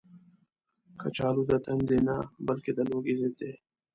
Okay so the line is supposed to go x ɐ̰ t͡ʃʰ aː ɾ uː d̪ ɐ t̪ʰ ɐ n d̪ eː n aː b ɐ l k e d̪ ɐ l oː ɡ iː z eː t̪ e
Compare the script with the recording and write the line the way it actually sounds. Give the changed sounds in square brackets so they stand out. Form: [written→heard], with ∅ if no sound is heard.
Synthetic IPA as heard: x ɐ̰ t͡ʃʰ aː [ɾ→l] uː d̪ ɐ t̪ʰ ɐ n d̪ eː n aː b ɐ l k e d̪ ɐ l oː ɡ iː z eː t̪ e